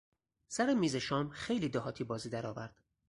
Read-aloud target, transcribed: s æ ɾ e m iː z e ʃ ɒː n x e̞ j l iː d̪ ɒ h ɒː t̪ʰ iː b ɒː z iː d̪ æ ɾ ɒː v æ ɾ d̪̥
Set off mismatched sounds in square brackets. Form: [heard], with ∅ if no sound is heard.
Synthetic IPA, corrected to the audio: s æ ɾ e m iː z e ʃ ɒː [m] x e̞ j l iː d̪ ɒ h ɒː t̪ʰ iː b ɒː z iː d̪ æ ɾ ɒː v æ ɾ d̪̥